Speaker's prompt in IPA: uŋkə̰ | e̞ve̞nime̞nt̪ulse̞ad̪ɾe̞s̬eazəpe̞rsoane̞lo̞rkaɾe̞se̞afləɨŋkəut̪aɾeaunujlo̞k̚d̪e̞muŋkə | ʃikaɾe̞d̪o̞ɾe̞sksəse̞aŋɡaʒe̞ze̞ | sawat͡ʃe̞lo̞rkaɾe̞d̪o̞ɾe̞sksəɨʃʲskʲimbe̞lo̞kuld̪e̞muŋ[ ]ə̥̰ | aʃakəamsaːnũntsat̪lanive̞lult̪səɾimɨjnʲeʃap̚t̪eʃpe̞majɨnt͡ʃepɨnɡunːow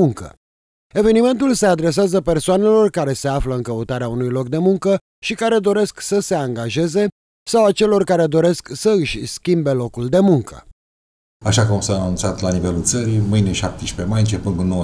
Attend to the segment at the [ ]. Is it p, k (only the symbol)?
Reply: k